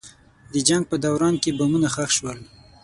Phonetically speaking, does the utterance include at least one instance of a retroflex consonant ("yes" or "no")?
no